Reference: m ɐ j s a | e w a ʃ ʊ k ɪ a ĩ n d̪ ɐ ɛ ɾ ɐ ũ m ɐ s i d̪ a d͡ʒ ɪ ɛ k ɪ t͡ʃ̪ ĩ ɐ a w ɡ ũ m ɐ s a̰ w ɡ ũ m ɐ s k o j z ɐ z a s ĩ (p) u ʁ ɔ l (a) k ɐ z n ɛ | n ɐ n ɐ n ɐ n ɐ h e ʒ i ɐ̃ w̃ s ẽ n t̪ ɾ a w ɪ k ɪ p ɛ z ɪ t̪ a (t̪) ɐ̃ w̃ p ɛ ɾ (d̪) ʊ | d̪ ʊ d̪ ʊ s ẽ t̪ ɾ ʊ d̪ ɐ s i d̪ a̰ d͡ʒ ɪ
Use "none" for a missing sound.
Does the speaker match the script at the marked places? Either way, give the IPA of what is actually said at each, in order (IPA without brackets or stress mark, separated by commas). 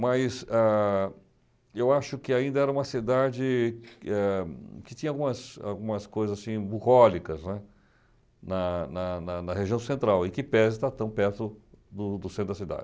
b, i, t̪, t̪